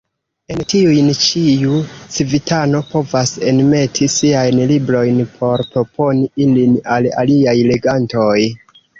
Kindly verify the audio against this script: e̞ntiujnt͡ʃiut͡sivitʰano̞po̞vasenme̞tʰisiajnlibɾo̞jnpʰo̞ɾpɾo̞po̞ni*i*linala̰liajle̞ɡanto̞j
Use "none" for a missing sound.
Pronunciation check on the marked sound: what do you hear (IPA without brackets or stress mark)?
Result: i